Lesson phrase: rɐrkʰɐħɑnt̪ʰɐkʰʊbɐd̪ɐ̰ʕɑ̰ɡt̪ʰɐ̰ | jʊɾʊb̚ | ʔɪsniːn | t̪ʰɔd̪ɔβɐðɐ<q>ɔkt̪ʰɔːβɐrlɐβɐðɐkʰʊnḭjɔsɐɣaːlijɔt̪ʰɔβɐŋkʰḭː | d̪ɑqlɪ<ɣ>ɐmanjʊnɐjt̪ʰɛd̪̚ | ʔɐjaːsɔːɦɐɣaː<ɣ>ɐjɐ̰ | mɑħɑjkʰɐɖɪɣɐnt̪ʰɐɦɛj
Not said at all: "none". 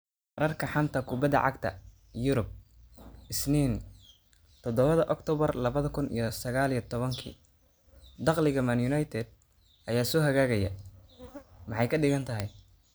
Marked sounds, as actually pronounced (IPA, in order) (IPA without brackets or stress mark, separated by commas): ʔ, ɣ, ɣ